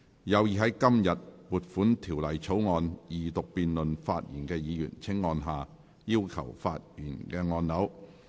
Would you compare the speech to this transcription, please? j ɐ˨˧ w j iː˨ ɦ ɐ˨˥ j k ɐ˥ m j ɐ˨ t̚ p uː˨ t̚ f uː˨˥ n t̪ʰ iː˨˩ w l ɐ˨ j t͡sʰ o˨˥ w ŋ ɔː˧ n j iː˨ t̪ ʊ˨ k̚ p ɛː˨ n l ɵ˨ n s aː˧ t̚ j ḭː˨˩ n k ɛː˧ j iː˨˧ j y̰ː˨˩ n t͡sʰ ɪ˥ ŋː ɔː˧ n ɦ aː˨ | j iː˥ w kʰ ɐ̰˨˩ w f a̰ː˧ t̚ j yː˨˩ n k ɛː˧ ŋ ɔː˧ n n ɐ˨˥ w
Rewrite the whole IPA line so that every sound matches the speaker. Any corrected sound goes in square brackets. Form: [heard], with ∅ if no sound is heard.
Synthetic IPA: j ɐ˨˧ w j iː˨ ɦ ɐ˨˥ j k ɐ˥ m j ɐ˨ t̚ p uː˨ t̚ f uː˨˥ n t̪ʰ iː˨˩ w l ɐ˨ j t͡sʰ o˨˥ w ŋ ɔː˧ n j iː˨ t̪ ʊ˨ k̚ p [iː˨] n l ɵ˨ n [f] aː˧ t̚ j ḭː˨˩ n k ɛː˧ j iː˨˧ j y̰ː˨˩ n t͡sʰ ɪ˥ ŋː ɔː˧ n ɦ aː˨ | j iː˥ w kʰ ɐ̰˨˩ w f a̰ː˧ t̚ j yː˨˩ n k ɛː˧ ŋ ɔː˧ n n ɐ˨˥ w

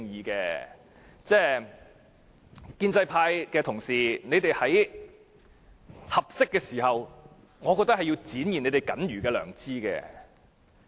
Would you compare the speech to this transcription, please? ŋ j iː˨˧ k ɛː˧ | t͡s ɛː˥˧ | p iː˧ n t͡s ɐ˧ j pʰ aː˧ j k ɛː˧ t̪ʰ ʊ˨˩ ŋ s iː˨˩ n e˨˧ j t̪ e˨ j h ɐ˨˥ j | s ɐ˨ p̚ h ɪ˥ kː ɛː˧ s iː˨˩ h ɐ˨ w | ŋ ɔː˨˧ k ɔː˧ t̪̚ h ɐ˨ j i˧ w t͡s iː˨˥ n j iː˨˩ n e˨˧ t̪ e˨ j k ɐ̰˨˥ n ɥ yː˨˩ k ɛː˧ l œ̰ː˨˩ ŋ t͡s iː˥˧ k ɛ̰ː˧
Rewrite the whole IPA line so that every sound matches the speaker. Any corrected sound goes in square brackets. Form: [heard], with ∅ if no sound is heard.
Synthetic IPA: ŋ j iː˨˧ k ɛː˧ | t͡s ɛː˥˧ | [k] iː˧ n t͡s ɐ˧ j pʰ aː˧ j k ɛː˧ t̪ʰ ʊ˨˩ ŋ s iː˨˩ n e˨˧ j t̪ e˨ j h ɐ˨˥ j | [h] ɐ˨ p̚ [s] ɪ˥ kː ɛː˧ s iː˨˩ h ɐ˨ w | ŋ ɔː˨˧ k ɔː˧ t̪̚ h ɐ˨ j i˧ w t͡s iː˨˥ n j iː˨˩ n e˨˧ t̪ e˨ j k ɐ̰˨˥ n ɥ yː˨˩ k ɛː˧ l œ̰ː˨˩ ŋ t͡s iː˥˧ k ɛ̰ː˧

